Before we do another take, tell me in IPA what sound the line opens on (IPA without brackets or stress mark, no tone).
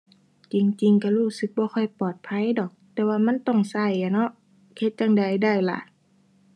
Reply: t͡ɕ